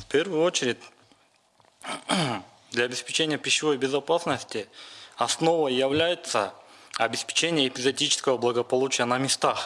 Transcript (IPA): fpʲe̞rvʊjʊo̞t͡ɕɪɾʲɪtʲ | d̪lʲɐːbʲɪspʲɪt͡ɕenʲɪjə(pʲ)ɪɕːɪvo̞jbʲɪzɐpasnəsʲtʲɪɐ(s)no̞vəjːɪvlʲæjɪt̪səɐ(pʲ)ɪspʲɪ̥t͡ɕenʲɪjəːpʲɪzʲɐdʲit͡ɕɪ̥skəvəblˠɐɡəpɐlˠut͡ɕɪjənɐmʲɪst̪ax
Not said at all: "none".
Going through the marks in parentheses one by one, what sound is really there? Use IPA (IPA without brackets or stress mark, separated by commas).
pʲ, s, bʲ